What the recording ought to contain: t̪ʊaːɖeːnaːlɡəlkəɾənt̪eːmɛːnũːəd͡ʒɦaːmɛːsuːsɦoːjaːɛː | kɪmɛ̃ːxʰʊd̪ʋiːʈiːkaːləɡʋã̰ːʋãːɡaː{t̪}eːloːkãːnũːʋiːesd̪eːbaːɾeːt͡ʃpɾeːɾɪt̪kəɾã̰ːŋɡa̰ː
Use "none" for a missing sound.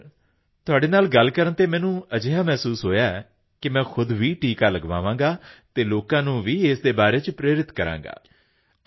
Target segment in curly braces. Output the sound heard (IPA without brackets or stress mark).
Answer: t̪